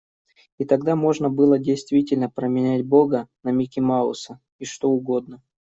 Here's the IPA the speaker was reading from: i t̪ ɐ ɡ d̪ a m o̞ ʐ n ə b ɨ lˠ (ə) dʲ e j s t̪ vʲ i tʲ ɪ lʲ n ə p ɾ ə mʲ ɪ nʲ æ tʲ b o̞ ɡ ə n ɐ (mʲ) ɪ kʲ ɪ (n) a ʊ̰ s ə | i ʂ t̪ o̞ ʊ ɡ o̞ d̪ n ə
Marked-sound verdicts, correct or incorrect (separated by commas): correct, correct, incorrect